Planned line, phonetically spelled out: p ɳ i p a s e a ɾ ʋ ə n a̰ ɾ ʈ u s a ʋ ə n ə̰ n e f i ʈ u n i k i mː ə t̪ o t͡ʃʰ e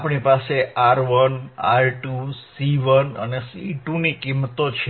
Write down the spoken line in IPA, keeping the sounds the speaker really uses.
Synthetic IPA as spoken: p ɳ i p a s e a ɾ ʋ ə n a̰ ɾ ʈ u s i ʋ ə n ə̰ n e s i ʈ u n i k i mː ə t̪ o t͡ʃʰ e